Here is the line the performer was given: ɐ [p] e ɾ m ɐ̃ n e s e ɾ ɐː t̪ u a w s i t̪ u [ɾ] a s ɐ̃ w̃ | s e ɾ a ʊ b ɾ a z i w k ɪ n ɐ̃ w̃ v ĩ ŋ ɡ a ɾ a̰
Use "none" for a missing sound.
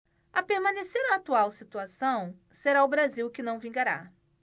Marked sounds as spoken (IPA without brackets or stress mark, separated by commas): p, none